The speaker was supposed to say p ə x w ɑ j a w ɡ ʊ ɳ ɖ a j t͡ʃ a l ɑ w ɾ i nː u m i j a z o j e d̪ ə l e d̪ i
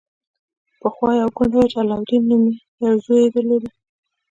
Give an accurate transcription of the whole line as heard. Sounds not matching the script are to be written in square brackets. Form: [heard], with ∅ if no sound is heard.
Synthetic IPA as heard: p ə x w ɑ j a w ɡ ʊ ɳ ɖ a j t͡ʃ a l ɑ w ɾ i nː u m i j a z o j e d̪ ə l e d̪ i